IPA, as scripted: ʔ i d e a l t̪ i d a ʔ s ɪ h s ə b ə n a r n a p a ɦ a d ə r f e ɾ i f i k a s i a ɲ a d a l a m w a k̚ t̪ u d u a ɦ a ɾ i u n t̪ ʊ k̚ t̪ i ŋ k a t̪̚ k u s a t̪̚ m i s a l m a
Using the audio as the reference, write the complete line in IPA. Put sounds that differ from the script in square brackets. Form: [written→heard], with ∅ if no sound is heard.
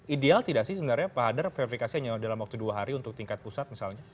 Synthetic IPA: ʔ i d e a l t̪ i d a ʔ s ɪ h s ə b ə n a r [n→ɲ] a p a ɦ a d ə r f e ɾ i f i k a s i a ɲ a d a l a m w a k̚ t̪ u d u a ɦ a ɾ i u n t̪ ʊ k̚ t̪ i ŋ k a t̪̚ [k→p] u s a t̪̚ m i s a l [m→ɲ] a